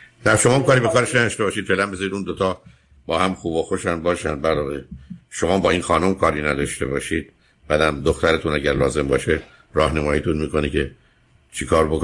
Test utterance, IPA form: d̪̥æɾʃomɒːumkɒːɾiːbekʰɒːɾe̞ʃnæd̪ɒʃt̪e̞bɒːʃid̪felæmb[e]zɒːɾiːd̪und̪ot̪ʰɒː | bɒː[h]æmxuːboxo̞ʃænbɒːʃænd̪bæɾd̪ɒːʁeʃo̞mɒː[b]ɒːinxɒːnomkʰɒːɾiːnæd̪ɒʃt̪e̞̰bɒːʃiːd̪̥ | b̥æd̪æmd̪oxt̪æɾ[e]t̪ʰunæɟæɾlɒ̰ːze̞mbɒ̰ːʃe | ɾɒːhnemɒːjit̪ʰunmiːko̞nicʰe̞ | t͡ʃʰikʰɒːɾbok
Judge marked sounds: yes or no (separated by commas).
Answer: yes, yes, yes, yes